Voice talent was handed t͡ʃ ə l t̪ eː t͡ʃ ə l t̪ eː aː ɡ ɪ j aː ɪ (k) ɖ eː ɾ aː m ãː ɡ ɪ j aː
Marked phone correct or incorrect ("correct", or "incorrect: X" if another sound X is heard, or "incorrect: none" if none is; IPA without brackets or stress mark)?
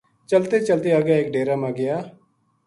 correct